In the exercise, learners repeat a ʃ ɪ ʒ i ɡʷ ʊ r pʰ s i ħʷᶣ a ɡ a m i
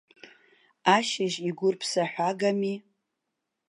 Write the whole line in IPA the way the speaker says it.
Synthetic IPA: a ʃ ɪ ʒ i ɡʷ ʊ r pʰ s a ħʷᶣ a ɡ a m i